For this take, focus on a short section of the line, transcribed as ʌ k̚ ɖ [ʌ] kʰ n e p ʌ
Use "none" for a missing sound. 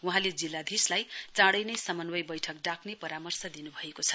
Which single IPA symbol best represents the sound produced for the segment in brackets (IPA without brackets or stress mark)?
a